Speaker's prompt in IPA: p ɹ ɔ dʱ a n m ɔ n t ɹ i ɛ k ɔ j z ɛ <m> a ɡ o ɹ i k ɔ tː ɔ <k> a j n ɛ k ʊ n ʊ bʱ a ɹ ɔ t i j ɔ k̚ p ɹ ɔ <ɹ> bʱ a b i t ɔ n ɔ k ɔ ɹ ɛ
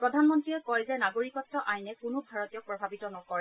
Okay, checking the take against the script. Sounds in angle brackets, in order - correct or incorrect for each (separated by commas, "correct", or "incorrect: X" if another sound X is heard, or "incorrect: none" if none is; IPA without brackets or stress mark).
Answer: incorrect: n, incorrect: ʔ, incorrect: none